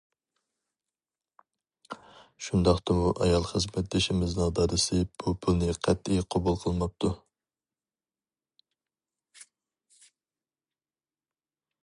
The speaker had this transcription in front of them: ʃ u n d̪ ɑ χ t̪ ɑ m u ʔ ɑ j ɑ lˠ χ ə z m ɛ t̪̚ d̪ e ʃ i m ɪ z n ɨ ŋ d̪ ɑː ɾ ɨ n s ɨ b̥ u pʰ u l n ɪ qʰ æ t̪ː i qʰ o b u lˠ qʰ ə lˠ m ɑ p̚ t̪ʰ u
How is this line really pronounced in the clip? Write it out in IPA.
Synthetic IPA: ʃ u n d̪ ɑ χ t̪ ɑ m u ʔ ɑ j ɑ lˠ χ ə z m ɛ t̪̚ d̪ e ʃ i m ɪ z n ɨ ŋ d̪ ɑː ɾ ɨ s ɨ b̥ u pʰ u l n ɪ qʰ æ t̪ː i qʰ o b u lˠ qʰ ə lˠ m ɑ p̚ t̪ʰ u